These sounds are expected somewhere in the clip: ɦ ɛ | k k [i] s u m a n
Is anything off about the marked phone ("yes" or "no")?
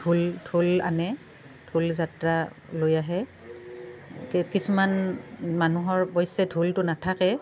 no